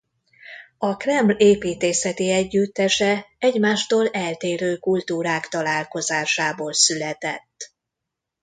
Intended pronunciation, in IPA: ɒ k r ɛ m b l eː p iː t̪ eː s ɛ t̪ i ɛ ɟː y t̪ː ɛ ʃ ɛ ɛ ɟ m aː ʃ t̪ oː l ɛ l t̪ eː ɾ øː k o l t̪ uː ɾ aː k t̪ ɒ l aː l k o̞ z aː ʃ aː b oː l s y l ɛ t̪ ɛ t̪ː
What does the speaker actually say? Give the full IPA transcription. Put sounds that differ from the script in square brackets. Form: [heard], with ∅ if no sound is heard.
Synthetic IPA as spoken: ɒ k r ɛ m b l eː p iː t̪ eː s ɛ t̪ i ɛ ɟː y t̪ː ɛ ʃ ɛ ɛ ɟ m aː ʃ t̪ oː l ɛ l t̪ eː ɾ øː k [u] l t̪ uː ɾ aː k t̪ ɒ l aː l k o̞ z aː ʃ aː b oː l s y l ɛ t̪ ɛ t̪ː